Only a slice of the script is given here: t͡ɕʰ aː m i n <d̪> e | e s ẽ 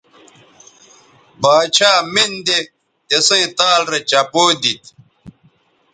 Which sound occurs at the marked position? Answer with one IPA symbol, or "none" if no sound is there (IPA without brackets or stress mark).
d̪